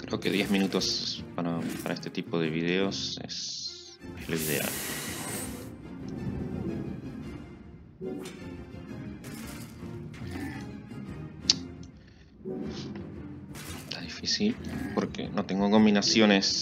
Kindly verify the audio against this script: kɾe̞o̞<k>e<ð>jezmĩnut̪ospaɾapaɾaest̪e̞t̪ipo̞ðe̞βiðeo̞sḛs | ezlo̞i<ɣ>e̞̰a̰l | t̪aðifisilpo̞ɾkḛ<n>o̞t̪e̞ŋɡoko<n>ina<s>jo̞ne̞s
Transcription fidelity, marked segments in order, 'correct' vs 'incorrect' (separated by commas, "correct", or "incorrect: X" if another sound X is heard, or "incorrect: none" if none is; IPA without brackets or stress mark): correct, correct, incorrect: ð, correct, incorrect: m, correct